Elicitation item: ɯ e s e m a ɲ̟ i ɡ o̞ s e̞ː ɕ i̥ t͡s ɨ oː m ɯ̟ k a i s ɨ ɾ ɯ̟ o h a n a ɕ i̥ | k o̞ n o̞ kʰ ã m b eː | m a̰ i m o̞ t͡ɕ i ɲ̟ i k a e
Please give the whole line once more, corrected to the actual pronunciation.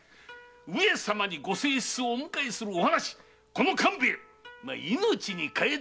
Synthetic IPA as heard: ɯ e s a m a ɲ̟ i ɡ o̞ s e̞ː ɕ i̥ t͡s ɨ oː m ɯ̟ k a i s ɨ ɾ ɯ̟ o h a n a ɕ i̥ | k o̞ n o̞ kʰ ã m b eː | m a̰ i n o̞ t͡ɕ i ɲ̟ i k a e